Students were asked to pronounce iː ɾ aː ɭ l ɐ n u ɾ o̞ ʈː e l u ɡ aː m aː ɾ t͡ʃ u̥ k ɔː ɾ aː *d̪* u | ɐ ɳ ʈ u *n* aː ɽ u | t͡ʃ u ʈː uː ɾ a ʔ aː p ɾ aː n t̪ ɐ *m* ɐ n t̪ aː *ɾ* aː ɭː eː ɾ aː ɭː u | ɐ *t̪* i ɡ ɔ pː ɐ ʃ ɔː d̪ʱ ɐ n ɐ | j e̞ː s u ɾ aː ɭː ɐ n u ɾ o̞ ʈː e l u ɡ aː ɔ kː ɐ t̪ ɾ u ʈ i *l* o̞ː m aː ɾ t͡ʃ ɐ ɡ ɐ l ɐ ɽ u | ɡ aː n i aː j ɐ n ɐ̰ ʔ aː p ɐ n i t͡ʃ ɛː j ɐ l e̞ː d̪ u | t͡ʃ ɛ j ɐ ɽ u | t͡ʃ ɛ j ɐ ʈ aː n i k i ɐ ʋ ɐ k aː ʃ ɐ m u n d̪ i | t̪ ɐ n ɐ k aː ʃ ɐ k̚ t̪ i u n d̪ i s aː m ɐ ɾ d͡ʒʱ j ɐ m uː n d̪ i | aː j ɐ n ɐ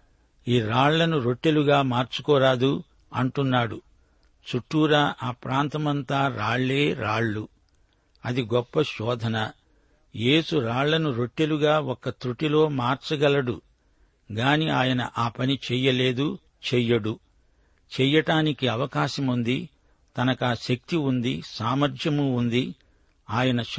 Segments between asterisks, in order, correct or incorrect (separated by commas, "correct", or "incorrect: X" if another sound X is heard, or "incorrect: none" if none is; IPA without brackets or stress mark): correct, incorrect: nː, correct, correct, incorrect: d̪, correct